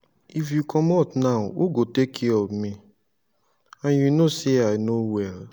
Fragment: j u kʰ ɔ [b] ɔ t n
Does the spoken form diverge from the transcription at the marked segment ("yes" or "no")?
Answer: yes